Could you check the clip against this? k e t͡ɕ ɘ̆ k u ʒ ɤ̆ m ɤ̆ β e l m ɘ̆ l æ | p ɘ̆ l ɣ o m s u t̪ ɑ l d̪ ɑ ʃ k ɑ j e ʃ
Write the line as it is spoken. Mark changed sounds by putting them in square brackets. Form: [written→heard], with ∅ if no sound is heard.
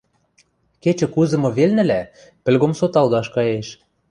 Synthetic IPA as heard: k e t͡ɕ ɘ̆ k u [ʒ→z] ɤ̆ m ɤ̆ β e l [m→n] ɘ̆ l æ | p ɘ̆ l ɣ o m s [u→o] t̪ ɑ l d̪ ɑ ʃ k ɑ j e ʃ